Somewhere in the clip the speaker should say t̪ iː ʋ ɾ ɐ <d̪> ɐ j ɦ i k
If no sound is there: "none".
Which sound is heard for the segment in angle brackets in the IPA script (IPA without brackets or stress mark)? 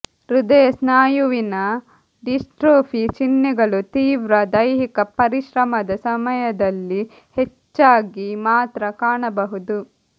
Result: d̪